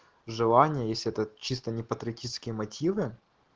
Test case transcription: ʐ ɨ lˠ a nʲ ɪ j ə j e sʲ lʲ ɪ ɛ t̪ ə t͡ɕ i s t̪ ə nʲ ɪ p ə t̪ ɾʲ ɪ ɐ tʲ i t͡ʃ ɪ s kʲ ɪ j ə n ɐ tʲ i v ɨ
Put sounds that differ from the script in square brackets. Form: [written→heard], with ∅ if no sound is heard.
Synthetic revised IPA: ʐ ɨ lˠ a nʲ ɪ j ə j e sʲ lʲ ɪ ɛ t̪ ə t͡ɕ i s t̪ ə nʲ ɪ p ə t̪ ɾʲ ɪ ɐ tʲ i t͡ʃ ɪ s kʲ ɪ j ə [n→m] ɐ tʲ i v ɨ